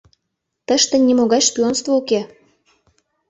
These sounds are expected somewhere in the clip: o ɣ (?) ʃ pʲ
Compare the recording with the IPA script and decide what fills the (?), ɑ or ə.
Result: ɑ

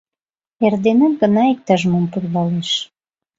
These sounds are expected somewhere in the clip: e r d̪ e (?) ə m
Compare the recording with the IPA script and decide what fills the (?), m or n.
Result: n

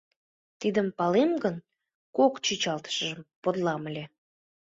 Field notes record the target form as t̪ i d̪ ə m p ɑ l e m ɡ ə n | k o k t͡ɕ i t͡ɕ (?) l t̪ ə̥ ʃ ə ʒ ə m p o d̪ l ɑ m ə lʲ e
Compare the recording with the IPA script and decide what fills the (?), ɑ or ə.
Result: ɑ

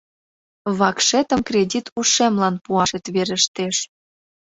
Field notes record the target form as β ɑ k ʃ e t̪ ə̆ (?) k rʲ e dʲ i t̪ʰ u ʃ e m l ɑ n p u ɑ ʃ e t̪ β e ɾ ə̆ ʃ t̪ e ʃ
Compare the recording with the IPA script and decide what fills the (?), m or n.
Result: m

